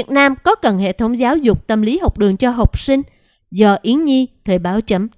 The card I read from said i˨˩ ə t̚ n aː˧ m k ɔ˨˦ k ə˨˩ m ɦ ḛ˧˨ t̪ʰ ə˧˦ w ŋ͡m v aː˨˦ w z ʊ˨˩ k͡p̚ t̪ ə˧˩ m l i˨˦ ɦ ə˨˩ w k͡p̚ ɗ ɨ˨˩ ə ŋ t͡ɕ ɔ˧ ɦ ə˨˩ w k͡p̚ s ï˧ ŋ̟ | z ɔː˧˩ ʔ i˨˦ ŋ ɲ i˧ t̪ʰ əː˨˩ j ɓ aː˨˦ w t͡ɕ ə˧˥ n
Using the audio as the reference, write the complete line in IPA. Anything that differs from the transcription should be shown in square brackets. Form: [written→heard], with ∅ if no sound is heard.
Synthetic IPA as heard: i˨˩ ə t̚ n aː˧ m k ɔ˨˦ k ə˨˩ [m→n] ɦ ḛ˧˨ t̪ʰ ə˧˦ w ŋ͡m [v→z] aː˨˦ w z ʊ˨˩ k͡p̚ t̪ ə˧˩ m l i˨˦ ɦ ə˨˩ w k͡p̚ ɗ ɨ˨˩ ə ŋ t͡ɕ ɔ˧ ɦ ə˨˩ w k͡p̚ s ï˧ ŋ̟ | z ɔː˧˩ ʔ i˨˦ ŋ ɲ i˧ t̪ʰ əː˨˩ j ɓ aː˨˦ w t͡ɕ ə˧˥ [n→m]